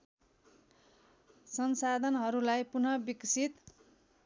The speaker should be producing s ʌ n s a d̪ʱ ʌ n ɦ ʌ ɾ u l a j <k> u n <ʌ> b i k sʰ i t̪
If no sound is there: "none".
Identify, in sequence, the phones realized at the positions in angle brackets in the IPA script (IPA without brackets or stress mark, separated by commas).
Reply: p, ʌ